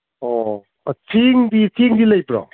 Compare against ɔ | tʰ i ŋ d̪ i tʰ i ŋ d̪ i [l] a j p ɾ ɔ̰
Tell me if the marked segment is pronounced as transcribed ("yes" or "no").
yes